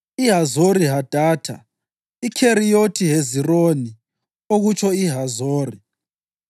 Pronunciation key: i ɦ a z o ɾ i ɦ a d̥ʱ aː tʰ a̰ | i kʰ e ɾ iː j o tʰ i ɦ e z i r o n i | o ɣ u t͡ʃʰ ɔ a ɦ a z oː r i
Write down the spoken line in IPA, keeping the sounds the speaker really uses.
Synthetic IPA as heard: i ɦ a z o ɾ i ɦ a d̥ʱ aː tʰ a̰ | i kʰ e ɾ i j o tʰ i ɦ e z i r o n i | o ɣ u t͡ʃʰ ɔ i ɦ a z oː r i